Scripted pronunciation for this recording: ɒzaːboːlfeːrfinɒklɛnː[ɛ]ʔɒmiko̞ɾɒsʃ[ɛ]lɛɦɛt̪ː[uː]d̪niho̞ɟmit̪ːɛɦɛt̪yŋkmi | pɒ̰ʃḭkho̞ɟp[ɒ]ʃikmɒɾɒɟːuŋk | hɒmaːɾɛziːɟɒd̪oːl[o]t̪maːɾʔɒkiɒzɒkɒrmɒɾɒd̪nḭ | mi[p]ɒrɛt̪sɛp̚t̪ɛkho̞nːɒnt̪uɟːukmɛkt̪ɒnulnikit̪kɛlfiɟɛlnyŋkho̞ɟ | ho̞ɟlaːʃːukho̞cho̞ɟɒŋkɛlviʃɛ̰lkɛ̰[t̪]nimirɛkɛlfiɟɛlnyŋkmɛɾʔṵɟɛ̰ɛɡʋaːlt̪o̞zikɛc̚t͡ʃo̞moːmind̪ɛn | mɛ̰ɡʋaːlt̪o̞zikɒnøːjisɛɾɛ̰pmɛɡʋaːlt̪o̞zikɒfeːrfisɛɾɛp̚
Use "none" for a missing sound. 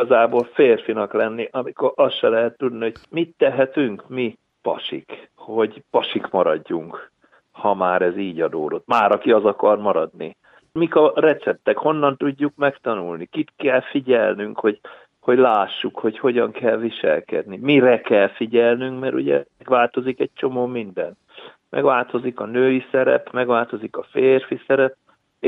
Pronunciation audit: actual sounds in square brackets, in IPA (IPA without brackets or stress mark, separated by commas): i, ɛ, u, ɒ, o, k, d̪